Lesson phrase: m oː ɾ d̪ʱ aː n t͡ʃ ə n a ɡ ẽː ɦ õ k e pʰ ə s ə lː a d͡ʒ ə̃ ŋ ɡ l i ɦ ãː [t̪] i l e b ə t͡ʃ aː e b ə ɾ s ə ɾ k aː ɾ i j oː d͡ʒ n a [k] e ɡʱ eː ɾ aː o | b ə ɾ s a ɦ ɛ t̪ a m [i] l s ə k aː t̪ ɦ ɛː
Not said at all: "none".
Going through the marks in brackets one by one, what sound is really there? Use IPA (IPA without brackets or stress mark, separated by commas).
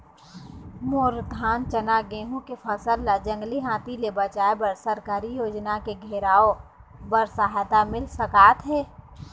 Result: t̪, k, ɪ